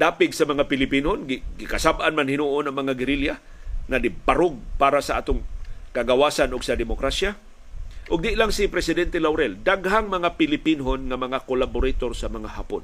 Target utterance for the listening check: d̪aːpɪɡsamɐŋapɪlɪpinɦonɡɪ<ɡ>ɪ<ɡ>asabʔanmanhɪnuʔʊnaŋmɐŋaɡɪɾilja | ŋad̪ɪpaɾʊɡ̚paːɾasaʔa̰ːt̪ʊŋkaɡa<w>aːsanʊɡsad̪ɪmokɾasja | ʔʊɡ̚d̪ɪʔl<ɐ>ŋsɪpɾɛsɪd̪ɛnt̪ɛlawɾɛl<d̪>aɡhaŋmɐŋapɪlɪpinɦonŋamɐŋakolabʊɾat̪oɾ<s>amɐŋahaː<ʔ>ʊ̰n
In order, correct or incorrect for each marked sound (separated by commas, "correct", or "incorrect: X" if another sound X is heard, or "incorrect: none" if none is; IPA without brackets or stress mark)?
correct, incorrect: k, correct, incorrect: a, correct, correct, incorrect: p